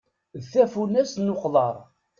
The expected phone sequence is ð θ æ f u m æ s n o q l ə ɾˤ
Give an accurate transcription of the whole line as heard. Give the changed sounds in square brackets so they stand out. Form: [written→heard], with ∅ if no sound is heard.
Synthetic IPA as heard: ð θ æ f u [m→n] æ s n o q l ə ɾˤ